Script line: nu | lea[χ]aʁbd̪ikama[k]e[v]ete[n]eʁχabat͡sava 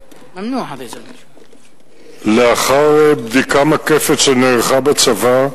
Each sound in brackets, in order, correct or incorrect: correct, correct, incorrect, correct

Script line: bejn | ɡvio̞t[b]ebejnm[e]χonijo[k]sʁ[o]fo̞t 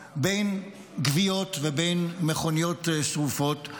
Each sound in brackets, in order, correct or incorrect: incorrect, correct, incorrect, incorrect

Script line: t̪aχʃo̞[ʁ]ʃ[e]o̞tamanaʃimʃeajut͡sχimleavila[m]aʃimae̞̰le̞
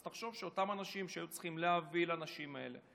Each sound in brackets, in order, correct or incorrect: incorrect, correct, incorrect

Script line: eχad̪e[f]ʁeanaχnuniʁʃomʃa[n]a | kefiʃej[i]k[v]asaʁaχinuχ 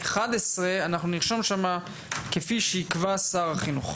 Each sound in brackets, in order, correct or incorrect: incorrect, incorrect, correct, correct

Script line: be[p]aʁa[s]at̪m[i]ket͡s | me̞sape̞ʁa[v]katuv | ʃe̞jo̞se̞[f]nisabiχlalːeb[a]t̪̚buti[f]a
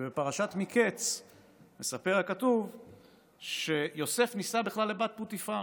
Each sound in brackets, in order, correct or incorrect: correct, incorrect, correct, incorrect, correct, correct, correct

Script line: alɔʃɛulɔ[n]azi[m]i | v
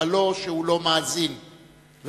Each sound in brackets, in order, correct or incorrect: incorrect, incorrect

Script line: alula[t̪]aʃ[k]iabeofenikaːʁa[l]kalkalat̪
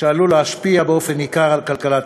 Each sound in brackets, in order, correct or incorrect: incorrect, incorrect, correct

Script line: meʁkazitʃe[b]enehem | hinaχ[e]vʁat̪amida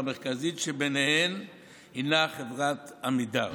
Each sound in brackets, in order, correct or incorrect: correct, correct

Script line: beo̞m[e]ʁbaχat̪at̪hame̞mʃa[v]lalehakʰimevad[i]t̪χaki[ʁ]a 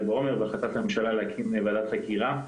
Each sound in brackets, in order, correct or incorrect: correct, incorrect, incorrect, correct

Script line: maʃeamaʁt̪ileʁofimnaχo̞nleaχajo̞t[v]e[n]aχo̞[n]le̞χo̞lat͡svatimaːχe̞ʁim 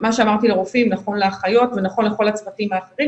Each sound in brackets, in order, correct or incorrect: correct, correct, correct

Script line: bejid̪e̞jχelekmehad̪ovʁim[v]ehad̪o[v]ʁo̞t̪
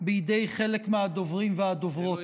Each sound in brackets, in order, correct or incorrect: correct, correct

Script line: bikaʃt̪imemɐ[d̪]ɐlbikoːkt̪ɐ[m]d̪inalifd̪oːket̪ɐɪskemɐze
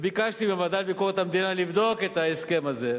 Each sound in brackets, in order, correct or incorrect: correct, correct

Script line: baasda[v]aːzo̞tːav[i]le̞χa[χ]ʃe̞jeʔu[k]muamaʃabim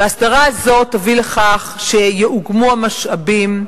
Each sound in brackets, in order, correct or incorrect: incorrect, correct, correct, incorrect

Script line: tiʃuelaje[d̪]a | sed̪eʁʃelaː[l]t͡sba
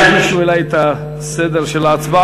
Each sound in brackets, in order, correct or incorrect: incorrect, incorrect

